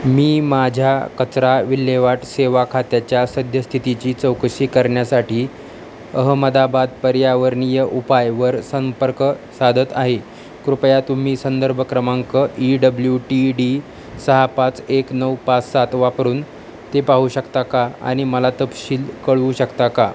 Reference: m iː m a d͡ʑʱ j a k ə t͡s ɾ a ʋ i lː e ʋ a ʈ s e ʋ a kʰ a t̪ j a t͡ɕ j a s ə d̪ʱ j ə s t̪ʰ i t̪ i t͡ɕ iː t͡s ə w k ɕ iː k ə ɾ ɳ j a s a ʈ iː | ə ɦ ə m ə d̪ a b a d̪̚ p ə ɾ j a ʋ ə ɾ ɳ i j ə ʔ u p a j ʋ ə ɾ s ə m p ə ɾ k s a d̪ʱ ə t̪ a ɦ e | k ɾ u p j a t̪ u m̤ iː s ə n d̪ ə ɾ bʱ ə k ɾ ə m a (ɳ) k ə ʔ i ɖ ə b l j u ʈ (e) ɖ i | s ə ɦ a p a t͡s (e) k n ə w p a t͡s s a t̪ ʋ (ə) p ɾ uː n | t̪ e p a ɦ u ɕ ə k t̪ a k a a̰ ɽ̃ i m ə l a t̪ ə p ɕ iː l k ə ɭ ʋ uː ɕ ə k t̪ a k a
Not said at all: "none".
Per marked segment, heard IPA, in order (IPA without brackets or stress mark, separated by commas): ŋ, i, e, a